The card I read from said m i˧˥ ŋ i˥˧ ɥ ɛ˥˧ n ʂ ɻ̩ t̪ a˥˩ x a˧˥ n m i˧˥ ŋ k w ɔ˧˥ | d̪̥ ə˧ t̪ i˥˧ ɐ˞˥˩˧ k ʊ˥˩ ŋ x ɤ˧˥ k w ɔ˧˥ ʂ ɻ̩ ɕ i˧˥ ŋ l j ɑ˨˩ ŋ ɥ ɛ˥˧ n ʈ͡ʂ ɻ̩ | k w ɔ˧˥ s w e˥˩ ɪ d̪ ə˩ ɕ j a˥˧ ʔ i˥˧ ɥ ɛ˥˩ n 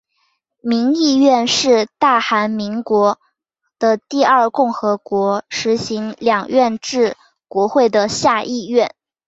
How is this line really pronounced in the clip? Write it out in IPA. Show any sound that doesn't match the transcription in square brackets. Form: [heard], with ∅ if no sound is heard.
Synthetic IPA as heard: m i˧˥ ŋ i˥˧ ɥ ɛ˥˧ n ʂ ɻ̩ t̪ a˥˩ x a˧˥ n m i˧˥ ŋ k w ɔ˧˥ | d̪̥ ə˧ t̪ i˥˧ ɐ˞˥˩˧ k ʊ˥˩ ŋ x ɤ˧˥ k w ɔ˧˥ ʂ ɻ̩ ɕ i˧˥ ŋ l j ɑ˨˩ ŋ ɥ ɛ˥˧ n ʈ͡ʂ ɻ̩ | k w ɔ˧˥ [x] w e˥˩ ɪ d̪ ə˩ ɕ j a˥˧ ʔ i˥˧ ɥ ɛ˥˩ n